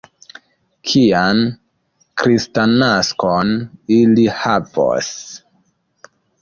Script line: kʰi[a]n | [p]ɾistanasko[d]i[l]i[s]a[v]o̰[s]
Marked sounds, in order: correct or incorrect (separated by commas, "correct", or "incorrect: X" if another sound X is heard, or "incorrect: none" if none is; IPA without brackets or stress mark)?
correct, incorrect: k, incorrect: n, correct, incorrect: h, correct, correct